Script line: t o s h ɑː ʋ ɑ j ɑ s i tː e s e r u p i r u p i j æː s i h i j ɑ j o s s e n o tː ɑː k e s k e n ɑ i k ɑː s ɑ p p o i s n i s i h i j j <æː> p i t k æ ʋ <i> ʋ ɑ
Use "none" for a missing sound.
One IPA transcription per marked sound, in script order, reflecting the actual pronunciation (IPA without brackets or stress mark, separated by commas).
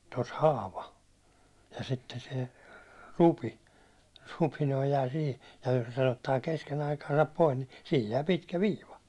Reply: æː, iː